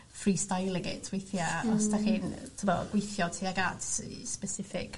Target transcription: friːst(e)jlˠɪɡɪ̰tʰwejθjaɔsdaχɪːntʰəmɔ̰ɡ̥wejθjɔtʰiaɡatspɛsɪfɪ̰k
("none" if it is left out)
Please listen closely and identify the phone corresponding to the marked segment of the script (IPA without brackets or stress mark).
a